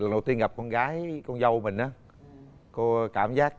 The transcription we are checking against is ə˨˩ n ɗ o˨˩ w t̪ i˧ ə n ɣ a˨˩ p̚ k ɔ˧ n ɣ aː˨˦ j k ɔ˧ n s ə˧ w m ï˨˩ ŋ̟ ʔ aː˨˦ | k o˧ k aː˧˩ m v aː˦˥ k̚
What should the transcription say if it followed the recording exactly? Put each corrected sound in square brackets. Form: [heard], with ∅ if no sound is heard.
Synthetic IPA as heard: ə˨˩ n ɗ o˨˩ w t̪ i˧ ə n ɣ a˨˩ p̚ k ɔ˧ n ɣ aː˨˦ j k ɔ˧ n [z] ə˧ w m ï˨˩ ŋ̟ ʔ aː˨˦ | k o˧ k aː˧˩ m [z] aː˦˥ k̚